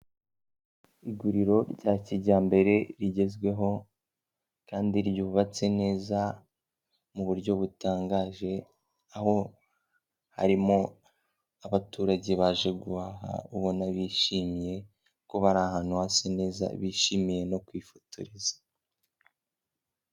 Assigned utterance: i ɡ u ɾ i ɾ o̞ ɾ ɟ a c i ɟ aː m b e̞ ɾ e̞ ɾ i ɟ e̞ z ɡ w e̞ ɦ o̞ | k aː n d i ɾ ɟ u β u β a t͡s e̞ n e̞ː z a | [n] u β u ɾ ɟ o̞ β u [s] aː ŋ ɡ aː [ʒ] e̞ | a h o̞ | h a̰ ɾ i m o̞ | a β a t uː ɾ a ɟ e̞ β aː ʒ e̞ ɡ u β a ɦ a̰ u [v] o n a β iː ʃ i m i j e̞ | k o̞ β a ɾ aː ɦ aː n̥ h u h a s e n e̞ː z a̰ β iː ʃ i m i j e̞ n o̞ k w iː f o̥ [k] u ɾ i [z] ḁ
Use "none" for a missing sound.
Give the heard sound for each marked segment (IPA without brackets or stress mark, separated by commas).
m, t, ʒ, β, t, z